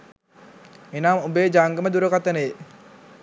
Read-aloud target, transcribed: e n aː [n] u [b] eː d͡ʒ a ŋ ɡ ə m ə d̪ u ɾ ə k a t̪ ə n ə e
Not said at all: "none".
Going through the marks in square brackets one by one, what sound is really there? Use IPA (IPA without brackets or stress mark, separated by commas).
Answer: m, b